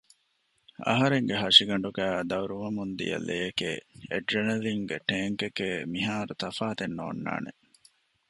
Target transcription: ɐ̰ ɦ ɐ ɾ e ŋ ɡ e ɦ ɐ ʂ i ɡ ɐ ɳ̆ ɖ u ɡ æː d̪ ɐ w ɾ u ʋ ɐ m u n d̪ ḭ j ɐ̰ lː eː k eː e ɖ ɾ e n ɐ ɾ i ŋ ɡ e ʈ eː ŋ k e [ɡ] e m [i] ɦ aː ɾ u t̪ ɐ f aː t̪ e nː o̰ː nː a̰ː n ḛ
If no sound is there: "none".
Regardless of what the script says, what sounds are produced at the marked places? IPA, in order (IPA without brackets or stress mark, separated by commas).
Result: k, i